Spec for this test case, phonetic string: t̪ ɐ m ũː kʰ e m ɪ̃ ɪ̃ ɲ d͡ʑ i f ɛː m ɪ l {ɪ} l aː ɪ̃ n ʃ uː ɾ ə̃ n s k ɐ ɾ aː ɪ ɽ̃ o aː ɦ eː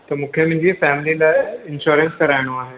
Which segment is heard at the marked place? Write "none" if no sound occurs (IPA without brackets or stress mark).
i